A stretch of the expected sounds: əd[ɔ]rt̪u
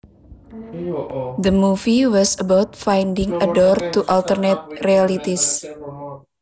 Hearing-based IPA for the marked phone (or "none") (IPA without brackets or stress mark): ɔ